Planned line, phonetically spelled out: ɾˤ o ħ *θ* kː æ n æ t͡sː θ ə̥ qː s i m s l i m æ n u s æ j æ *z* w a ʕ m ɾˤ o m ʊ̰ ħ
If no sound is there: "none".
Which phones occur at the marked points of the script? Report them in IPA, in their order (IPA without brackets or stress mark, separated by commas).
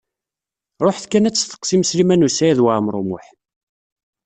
θ, ð